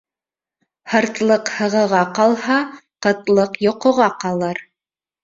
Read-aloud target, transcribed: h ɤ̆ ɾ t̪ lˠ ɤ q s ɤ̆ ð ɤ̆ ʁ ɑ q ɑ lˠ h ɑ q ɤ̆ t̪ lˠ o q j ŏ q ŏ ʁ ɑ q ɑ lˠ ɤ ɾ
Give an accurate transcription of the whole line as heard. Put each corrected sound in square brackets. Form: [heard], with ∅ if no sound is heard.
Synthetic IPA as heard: h ɤ̆ ɾ t̪ lˠ ɤ q [h] ɤ̆ [ʁ] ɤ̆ ʁ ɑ q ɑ lˠ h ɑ q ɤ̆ t̪ lˠ [ɤ] q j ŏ q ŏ ʁ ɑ q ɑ lˠ ɤ ɾ

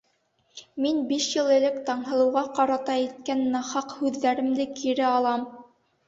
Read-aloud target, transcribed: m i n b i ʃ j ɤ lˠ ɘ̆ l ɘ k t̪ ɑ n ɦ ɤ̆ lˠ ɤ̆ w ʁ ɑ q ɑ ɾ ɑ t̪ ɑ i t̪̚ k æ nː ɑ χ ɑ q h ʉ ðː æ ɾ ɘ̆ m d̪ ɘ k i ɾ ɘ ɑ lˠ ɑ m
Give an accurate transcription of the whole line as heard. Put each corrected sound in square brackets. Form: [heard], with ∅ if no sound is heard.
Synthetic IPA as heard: m i n b i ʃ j ɤ lˠ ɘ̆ l ɘ k t̪ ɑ [ɴ] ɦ ɤ̆ lˠ ɤ̆ w ʁ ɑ q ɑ ɾ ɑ t̪ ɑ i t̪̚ k æ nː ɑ χ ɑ q h ʉ ðː æ ɾ ɘ̆ m d̪ ɘ k i ɾ ɘ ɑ lˠ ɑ m

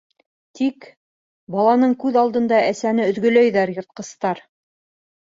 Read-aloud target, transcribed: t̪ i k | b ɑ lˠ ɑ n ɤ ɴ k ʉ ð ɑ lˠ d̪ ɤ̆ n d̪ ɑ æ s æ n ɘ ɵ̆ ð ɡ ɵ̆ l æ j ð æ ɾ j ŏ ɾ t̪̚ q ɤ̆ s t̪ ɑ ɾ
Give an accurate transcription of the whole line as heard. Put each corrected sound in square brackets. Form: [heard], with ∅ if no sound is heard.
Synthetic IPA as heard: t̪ i k | b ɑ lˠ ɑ n ɤ ɴ k ʉ ð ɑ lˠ d̪ ɤ̆ n d̪ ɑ æ s æ n ɘ ɵ̆ ð ɡ ɵ̆ l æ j ð æ ɾ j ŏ ɾ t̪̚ q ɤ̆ s t̪ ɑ ɾ

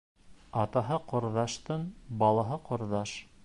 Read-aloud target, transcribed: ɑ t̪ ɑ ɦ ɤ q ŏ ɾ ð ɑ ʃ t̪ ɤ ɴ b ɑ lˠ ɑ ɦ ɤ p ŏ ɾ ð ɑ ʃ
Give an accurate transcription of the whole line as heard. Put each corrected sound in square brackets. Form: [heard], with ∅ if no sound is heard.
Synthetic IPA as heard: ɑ t̪ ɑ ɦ ɤ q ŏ ɾ ð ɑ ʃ t̪ ɤ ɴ b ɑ lˠ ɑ ɦ ɤ [q] ŏ ɾ ð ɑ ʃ

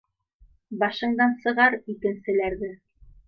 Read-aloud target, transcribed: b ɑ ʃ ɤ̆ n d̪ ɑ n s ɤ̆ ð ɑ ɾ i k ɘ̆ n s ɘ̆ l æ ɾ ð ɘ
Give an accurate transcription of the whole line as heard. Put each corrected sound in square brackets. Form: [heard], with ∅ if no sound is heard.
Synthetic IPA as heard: b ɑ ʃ ɤ̆ [ɴ] d̪ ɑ n s ɤ̆ [ʁ] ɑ ɾ i k ɘ̆ n s ɘ̆ l æ ɾ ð ɘ

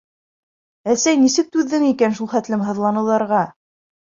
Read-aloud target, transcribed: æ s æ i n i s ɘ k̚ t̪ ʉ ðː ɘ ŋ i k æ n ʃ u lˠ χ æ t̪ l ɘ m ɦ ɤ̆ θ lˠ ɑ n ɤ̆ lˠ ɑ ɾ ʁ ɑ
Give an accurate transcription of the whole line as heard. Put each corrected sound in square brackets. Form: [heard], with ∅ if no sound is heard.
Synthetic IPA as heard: æ s æ [j] n i s ɘ k̚ t̪ ʉ ðː ɘ ŋ i k æ n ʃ u lˠ χ æ t̪ l ɘ m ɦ ɤ̆ [ð] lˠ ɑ n ɤ̆ lˠ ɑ ɾ ʁ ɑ

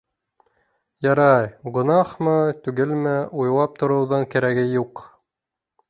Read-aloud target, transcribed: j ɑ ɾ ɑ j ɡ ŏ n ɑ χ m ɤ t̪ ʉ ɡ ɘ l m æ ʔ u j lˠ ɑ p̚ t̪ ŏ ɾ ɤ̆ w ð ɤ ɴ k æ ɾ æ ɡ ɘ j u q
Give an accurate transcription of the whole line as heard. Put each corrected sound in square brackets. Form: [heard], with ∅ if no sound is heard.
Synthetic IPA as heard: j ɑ ɾ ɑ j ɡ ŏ n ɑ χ m ɤ t̪ ʉ ɡ ɘ l m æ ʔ u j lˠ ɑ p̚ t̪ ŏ ɾ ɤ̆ w ð ɤ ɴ k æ ɾ æ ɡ ɘ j u q

